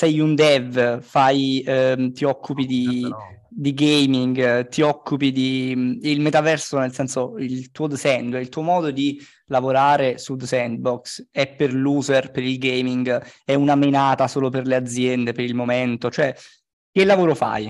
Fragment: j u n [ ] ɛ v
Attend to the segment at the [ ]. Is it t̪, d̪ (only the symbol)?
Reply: d̪